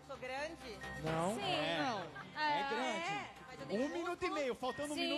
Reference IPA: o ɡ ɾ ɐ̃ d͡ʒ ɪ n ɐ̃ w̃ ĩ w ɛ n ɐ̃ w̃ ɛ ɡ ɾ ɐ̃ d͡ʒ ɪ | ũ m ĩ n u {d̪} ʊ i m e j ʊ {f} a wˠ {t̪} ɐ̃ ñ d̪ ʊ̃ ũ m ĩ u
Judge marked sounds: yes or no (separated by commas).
no, yes, yes